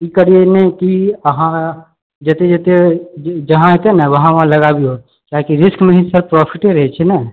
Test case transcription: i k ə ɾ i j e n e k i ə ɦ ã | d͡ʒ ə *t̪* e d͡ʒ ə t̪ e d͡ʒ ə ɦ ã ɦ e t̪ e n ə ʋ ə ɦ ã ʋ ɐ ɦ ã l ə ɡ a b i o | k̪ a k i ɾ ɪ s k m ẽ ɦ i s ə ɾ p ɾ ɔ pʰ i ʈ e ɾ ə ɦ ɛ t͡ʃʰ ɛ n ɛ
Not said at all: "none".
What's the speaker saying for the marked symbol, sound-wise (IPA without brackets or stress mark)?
t̪